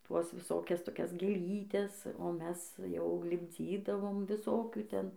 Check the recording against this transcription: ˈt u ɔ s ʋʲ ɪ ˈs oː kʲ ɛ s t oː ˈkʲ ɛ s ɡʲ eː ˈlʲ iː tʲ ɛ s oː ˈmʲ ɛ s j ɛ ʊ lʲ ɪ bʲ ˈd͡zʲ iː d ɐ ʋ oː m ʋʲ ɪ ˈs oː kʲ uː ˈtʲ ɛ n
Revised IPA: ˈt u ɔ s ʋʲ ɪ ˈs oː kʲ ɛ s t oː ˈkʲ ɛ s ɡʲ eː ˈlʲ iː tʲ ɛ s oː ˈmʲ ɛ s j ɛ ʊ lʲ ɪ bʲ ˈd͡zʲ iː d ɐ ʋ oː m ʋʲ ɪ ˈs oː kʲ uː ˈtʲ ɛ n